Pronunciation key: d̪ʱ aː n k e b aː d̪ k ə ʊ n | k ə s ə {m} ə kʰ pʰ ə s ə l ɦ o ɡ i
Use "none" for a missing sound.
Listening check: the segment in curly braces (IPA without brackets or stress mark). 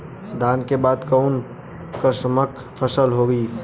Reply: m